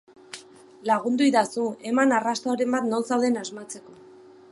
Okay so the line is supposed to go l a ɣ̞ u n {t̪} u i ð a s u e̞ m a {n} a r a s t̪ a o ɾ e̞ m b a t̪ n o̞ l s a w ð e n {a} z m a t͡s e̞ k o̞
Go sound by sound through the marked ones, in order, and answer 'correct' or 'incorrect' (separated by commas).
incorrect, correct, correct